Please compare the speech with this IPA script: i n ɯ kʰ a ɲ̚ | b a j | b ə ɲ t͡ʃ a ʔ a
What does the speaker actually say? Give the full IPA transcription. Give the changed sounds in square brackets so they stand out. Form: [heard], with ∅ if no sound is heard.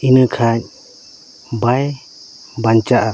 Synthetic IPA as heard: i n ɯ kʰ a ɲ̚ | b a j | b [a] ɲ t͡ʃ a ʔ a

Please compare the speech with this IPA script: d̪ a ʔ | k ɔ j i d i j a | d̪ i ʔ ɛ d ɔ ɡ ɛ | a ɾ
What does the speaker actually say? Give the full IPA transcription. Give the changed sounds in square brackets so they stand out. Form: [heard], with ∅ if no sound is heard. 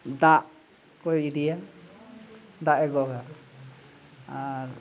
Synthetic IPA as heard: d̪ a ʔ | k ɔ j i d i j a | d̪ [a] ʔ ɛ [ɡ] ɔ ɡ [a] | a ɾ

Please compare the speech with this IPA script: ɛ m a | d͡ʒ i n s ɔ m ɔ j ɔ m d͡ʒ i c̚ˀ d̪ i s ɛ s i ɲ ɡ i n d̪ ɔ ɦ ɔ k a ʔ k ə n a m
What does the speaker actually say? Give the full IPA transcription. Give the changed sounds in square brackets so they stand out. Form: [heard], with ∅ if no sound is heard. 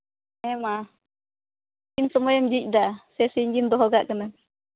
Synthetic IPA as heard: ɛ m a | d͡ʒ i n s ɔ m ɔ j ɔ m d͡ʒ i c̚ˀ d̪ [a] s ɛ s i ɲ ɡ i n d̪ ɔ ɦ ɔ [ɡ] a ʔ k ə n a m

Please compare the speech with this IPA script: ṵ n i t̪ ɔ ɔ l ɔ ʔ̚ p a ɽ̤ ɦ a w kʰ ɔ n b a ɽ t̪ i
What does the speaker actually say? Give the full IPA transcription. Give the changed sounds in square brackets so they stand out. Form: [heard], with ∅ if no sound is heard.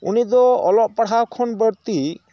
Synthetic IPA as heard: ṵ n i [d̪] ɔ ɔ l ɔ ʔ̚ p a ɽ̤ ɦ a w kʰ ɔ n b [ə] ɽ t̪ i

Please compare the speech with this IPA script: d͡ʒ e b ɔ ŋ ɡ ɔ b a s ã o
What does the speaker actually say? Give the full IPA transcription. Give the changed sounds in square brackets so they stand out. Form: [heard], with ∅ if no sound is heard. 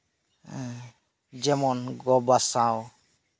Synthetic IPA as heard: d͡ʒ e [m] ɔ [n] ɡ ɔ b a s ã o

